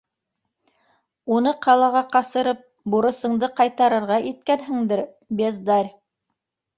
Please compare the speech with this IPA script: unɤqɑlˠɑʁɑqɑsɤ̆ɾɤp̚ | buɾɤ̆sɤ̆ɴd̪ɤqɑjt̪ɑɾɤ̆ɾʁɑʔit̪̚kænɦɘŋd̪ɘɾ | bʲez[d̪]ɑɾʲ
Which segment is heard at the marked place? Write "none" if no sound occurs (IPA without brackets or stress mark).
d̪